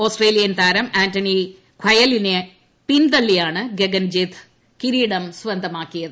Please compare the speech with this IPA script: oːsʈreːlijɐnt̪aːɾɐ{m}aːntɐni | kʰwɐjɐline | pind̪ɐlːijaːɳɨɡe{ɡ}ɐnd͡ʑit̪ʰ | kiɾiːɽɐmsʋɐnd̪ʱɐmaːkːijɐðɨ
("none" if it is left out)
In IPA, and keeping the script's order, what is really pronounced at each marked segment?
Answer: m, ɡ

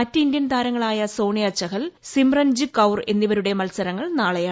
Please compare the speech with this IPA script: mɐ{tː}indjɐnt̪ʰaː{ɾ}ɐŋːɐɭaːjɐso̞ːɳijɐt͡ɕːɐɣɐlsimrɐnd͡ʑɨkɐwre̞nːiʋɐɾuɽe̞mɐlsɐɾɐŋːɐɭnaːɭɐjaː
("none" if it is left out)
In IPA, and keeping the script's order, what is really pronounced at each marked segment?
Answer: tː, ɾ

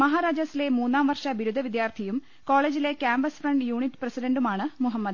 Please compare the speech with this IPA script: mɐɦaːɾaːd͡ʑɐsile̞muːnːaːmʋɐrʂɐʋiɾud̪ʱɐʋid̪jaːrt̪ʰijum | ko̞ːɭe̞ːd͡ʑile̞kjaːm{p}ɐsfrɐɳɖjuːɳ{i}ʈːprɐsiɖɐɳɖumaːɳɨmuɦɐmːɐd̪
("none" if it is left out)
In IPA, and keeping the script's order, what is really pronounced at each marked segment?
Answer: b, i

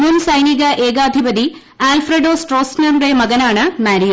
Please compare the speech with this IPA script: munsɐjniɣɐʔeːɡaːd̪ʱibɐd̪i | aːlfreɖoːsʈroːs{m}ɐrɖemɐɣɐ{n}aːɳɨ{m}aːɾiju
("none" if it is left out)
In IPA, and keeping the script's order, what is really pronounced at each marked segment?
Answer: n, n, m

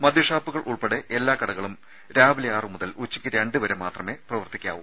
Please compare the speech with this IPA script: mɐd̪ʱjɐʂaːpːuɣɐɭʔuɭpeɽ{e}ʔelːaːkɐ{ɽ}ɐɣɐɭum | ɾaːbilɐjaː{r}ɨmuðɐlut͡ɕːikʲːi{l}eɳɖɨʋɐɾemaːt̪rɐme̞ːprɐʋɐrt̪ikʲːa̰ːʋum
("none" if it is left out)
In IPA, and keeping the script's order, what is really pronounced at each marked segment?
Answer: e, ɽ, r, ɾ

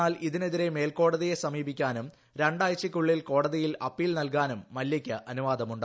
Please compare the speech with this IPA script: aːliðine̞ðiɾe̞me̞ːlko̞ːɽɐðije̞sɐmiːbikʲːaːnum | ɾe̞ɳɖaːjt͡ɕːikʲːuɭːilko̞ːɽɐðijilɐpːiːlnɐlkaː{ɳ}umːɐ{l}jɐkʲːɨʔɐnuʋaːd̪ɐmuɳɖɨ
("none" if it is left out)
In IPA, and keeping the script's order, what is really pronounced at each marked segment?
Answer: n, l

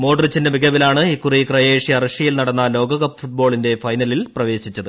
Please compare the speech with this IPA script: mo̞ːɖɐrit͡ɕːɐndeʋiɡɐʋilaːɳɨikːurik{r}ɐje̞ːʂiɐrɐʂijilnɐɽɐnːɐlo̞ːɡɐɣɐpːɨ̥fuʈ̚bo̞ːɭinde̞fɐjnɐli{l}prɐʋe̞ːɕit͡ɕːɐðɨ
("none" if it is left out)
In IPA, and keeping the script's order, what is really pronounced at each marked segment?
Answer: r, l

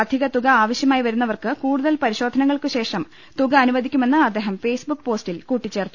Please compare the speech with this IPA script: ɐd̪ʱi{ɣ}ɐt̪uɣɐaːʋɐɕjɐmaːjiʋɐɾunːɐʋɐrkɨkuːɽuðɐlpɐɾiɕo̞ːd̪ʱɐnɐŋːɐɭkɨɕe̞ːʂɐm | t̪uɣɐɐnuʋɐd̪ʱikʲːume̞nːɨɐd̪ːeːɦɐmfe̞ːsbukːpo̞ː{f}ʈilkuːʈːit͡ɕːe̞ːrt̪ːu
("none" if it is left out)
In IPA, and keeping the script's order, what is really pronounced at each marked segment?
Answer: ɣ, s

